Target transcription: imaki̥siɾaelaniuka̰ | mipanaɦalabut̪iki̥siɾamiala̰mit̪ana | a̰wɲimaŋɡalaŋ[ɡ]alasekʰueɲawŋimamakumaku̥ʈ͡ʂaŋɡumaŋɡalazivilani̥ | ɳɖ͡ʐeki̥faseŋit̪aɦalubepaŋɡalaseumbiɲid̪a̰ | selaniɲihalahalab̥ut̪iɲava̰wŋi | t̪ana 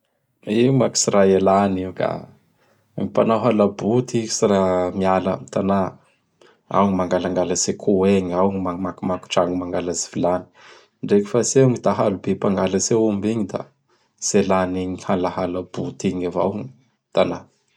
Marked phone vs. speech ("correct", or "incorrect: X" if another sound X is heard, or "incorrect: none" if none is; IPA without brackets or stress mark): correct